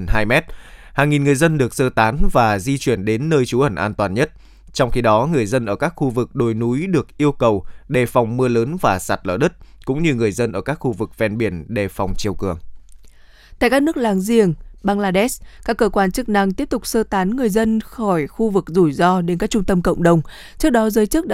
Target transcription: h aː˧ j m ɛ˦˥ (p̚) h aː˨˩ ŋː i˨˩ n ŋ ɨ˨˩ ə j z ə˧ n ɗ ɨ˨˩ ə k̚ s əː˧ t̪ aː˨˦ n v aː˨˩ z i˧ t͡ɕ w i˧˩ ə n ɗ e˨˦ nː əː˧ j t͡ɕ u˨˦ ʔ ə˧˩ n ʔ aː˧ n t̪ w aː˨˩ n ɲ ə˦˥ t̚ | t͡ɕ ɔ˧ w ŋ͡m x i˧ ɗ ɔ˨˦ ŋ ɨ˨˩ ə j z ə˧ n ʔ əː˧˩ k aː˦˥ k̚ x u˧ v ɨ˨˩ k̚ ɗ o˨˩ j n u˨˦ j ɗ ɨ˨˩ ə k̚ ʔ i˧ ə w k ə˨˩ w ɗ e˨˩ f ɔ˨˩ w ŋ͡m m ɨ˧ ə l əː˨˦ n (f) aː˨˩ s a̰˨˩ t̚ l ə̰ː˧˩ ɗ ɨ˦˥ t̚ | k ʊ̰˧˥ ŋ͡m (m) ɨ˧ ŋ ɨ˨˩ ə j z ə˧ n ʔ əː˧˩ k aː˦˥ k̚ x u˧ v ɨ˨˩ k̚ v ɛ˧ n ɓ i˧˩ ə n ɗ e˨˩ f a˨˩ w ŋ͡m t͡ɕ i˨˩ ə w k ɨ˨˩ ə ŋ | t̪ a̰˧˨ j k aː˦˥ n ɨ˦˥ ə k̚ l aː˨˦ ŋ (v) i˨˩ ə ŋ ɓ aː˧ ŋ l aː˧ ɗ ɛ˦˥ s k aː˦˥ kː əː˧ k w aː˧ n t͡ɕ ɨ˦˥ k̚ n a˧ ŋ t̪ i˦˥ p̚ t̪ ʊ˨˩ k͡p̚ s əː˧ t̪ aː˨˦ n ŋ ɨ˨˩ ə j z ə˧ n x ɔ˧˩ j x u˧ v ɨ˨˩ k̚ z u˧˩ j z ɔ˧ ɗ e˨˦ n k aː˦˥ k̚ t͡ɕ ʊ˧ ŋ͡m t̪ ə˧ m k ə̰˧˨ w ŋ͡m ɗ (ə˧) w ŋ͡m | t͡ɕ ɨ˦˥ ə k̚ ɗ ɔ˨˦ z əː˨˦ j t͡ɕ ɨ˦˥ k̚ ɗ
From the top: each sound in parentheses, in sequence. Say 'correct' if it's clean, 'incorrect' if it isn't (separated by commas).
incorrect, incorrect, incorrect, incorrect, incorrect